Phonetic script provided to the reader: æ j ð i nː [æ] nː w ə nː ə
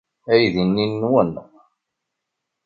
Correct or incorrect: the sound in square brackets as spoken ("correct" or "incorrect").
incorrect